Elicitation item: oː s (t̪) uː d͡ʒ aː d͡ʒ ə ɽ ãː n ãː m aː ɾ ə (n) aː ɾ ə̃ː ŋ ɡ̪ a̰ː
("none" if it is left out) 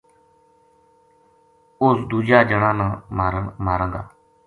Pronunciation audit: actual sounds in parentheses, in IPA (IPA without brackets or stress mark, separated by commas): d̪, m